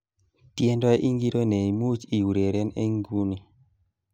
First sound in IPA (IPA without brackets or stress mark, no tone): t